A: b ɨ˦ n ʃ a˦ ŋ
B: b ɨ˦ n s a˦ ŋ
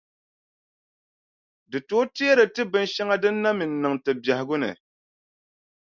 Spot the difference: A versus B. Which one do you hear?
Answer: A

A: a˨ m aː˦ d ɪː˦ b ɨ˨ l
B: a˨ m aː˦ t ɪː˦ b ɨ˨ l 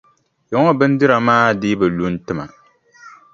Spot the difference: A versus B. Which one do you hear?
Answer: A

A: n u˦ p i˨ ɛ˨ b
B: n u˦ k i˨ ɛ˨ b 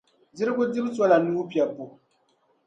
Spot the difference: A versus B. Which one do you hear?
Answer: A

